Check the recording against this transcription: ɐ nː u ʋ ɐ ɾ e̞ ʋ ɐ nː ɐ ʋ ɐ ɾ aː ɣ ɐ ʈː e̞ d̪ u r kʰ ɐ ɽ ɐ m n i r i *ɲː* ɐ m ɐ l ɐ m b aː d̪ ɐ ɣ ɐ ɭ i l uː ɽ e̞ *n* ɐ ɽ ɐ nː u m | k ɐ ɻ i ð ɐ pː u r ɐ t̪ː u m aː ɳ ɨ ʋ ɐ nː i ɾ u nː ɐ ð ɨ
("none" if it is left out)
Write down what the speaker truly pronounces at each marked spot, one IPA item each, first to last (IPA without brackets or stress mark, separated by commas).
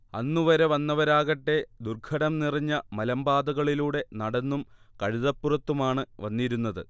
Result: ɲː, n